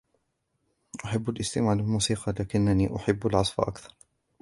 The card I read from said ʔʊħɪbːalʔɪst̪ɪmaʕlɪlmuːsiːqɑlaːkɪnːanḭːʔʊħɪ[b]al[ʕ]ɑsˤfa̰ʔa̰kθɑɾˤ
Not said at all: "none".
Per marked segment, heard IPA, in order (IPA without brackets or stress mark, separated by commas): bː, ʕ